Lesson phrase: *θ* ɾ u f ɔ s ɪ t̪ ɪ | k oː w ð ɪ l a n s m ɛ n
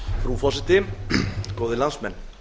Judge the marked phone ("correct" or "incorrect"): incorrect